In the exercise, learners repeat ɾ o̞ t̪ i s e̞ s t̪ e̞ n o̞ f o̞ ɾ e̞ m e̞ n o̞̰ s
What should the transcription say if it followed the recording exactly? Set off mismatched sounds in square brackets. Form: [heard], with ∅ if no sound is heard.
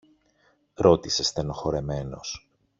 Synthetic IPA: ɾ o̞ t̪ i s e̞ s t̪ e̞ n o̞ [x] o̞ ɾ e̞ m e̞ n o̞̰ s